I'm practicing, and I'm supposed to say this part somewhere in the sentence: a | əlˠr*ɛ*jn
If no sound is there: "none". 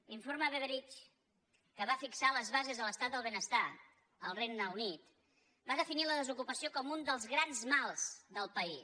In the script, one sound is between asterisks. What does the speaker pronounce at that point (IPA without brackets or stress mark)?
e